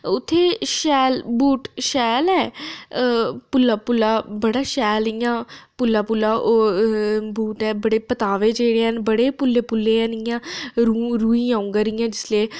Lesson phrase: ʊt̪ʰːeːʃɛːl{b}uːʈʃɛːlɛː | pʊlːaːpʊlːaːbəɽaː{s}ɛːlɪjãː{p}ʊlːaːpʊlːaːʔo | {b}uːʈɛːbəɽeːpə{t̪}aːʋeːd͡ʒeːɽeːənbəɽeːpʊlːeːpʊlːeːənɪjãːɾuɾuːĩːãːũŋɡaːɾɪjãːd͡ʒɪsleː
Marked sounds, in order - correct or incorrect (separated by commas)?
correct, incorrect, correct, correct, correct